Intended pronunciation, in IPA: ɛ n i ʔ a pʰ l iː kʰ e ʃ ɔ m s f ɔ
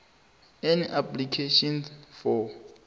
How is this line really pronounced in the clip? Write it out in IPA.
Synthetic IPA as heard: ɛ n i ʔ a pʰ l i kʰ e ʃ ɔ n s f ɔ